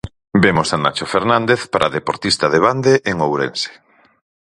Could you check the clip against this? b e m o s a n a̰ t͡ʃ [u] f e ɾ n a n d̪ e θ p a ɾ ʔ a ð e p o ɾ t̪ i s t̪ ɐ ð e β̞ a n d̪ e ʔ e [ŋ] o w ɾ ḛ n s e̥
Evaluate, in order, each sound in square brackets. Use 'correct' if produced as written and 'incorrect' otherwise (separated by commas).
incorrect, correct